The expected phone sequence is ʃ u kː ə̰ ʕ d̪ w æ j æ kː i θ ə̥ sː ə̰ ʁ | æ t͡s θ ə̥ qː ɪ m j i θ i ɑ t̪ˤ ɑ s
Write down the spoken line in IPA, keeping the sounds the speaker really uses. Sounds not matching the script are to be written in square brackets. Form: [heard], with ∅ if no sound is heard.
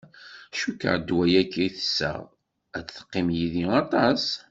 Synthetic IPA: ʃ u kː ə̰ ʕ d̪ w æ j æ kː i θ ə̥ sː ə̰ ʁ | æ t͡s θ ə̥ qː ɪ m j i [ð] i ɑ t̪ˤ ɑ s